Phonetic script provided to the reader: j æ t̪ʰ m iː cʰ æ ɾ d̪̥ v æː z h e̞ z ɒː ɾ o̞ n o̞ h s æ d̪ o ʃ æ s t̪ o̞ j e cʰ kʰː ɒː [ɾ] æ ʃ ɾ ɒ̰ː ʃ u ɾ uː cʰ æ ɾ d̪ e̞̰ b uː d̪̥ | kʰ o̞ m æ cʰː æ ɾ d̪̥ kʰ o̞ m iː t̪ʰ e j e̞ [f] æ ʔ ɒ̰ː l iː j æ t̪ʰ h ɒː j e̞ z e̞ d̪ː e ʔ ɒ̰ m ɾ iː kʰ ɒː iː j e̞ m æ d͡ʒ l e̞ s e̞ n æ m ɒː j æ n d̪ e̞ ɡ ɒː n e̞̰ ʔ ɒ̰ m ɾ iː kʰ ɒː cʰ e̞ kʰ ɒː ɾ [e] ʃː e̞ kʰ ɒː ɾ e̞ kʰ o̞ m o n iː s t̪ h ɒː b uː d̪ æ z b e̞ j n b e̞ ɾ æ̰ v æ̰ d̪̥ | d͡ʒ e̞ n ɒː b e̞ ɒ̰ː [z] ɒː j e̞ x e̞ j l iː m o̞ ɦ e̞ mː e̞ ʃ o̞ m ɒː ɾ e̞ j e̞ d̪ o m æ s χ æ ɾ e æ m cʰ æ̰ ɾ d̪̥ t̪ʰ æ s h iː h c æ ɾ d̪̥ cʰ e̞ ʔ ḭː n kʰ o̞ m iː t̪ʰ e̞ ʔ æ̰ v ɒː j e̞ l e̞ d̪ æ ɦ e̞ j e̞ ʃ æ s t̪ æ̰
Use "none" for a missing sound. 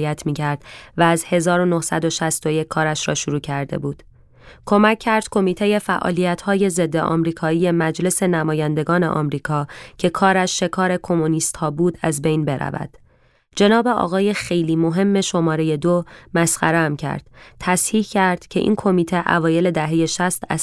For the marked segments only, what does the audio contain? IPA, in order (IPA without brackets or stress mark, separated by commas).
ɾ, f, æ, ɣ